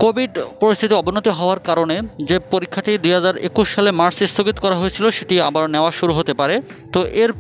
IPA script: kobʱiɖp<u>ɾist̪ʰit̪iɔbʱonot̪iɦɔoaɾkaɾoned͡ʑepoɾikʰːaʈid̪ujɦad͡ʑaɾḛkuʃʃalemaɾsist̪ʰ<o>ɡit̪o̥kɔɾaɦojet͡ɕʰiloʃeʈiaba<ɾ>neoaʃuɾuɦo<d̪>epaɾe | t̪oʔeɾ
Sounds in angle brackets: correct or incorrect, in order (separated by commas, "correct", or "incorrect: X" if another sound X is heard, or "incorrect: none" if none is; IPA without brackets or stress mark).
incorrect: o, correct, correct, incorrect: t̪